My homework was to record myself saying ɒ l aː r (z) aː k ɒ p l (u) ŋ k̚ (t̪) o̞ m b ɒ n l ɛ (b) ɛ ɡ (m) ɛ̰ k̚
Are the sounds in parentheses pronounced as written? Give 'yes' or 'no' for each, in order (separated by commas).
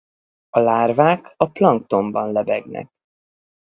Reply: no, no, yes, yes, no